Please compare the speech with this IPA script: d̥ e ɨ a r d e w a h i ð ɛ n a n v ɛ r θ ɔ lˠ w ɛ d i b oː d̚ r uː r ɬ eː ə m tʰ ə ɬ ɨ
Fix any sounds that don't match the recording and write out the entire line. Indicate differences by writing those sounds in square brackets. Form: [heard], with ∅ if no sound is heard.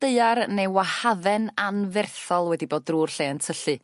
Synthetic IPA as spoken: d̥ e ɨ a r [n] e w a h [a] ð ɛ n a n v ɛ r θ ɔ lˠ w ɛ d i b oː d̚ r uː r ɬ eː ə [n] tʰ ə ɬ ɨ

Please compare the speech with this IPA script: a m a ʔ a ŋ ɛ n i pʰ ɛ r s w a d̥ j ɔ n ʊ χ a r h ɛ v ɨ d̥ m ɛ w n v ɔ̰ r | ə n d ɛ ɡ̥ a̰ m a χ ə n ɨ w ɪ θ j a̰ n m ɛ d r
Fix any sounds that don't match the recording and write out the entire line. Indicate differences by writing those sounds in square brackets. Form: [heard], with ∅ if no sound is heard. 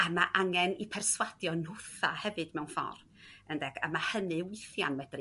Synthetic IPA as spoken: a m a ʔ a ŋ ɛ n i pʰ ɛ r s w a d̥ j ɔ n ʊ [θ] a [∅] h ɛ v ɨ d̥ m ɛ w n [f] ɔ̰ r | ə n d ɛ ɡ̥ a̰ m a [h] ə n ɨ w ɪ θ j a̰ n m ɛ d r

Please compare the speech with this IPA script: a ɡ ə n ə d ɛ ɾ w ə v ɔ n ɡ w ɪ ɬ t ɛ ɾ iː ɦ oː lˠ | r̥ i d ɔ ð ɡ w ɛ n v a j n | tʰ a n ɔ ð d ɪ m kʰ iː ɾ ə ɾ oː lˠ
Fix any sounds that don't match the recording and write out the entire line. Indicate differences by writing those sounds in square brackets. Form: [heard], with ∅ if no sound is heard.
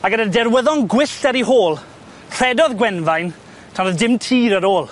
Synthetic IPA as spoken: a ɡ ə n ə d ɛ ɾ w ə [ð] ɔ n ɡ w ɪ ɬ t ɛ ɾ [i] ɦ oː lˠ | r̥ [ɛ] d ɔ ð ɡ w ɛ n v a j n | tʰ a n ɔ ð d ɪ m [tʰ] iː ɾ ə ɾ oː lˠ

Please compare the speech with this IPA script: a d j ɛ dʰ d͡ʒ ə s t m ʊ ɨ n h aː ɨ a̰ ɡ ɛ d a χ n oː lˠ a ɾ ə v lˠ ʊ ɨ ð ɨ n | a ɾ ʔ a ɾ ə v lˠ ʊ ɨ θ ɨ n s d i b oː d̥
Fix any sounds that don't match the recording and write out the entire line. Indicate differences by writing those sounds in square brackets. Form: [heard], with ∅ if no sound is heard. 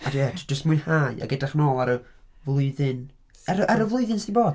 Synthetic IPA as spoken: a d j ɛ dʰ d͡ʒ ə s t m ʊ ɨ n h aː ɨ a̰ ɡ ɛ d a χ n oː lˠ a ɾ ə v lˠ ʊ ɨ ð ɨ n | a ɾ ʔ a ɾ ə v lˠ ʊ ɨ [ð] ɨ n s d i b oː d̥

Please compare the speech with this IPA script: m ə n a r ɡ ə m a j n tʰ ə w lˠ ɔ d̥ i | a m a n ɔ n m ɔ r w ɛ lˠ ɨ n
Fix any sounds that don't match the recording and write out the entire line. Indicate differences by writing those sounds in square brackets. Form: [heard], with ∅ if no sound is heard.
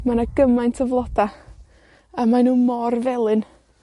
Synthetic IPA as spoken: m [a] n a [∅] ɡ ə m a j n tʰ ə [v] lˠ ɔ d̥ [a] | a m a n [u] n m ɔ r [v] ɛ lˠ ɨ n

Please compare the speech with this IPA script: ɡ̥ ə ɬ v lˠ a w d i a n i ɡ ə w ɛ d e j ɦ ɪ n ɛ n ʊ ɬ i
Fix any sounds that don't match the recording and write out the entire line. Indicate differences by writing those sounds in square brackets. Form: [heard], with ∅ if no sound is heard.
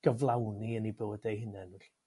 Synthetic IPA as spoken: ɡ̥ ə [∅] v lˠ a w [n] i [ə] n i [b] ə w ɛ d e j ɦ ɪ n ɛ n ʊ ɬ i

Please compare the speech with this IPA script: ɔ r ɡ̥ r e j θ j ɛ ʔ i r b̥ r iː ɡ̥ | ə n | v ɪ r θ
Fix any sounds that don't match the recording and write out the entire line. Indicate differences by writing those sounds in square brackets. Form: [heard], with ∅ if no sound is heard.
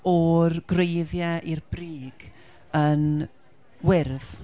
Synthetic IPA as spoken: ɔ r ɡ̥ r e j [ð] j ɛ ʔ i r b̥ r iː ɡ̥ | ə n | [w] ɪ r [ð]

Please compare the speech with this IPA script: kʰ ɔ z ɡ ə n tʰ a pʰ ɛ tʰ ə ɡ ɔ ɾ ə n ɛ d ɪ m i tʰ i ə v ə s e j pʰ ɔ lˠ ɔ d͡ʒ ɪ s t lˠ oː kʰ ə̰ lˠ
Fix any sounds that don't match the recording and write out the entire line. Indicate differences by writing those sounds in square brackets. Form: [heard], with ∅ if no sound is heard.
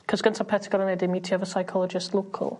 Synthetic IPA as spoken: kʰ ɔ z ɡ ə n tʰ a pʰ ɛ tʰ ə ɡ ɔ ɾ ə n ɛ d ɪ m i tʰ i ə v ə s [a] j [kʰ] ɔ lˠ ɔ d͡ʒ ɪ s t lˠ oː kʰ ə̰ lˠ

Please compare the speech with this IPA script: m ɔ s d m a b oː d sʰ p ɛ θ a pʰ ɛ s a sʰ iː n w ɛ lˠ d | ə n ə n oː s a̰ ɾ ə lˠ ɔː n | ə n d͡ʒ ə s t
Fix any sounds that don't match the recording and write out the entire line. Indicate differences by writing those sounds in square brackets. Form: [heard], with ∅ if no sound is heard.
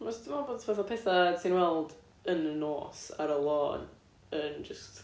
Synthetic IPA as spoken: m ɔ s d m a b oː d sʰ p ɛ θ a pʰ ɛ [θ] a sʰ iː n w ɛ lˠ d | ə n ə n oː s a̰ ɾ ə lˠ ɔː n | ə n d͡ʒ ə s t

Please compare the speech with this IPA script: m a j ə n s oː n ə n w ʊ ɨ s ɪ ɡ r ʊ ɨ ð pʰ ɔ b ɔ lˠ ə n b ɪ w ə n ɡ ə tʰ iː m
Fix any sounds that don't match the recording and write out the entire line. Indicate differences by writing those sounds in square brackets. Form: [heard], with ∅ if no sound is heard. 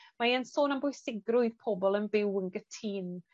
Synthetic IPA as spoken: m a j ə n s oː n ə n [b] ʊ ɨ s ɪ ɡ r ʊ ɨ ð pʰ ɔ b ɔ lˠ ə n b ɪ w ə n ɡ ə tʰ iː [n]

